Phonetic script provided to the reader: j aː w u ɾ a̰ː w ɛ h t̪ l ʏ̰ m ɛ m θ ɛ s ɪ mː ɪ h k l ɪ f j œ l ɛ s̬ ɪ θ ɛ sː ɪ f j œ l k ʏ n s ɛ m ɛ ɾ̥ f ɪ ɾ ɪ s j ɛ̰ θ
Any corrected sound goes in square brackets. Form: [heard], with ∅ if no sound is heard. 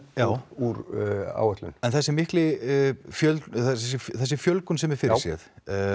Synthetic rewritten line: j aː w u ɾ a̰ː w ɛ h t̪ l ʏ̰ [n] ɛ [n] θ ɛ s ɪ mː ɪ h k l ɪ f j œ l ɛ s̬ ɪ θ ɛ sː ɪ f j œ l k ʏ n s ɛ m ɛ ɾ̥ f ɪ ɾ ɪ s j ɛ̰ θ